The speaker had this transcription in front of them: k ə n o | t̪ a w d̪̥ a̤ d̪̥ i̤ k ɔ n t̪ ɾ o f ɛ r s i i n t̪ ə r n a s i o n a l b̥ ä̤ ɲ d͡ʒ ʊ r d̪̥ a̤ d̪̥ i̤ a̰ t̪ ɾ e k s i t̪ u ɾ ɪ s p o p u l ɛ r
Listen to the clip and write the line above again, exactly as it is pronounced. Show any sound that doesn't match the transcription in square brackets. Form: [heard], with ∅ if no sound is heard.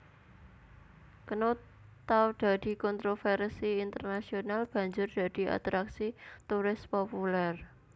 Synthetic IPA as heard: k ə n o | t̪ a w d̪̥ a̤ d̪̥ i̤ k ɔ n t̪ ɾ o f ɛ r s i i n t̪ ə r n a s i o n a l b̥ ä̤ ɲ d͡ʒ ʊ r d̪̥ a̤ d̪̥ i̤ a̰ t̪ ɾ [a] k s i t̪ u ɾ ɪ s p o p u l ɛ r